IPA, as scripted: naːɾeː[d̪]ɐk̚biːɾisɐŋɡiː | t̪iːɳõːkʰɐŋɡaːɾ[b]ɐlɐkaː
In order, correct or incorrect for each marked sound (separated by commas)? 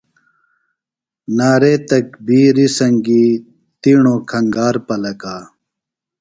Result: incorrect, incorrect